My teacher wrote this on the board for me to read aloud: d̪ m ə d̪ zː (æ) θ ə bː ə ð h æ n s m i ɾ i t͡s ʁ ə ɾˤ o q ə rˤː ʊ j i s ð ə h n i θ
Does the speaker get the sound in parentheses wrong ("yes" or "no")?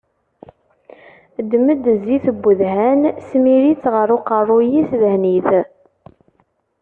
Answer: yes